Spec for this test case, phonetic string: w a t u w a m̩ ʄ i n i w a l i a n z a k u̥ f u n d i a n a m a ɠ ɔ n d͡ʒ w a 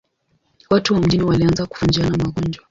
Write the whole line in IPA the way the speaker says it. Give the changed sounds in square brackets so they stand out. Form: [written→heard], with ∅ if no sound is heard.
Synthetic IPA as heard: w a t u w a m̩ ʄ i n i w a l i a n z a k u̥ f u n [d→d͡ʒ] i a n a m a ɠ ɔ n d͡ʒ w a